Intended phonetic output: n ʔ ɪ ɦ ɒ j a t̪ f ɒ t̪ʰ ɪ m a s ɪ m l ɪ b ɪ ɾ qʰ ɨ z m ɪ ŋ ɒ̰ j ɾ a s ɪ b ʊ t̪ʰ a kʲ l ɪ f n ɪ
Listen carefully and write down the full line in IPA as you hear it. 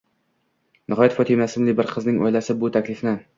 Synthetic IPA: n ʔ ɪ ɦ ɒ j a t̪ f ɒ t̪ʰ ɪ m a s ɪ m l ɪ b ɪ ɾ qʰ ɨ z n ɪ ŋ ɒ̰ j l a s ɪ b ʊ t̪ʰ a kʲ l ɪ f n ɪ